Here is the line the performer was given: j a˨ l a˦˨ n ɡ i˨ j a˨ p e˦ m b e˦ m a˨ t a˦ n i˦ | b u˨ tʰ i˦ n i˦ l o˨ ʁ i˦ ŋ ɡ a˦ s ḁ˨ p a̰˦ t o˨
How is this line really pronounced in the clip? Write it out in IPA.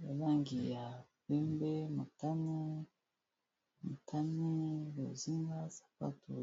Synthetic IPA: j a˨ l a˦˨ ŋ ɡ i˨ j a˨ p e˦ m b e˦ m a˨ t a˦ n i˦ | m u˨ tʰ a˦ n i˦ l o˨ z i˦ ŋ ɡ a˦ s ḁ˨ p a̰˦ t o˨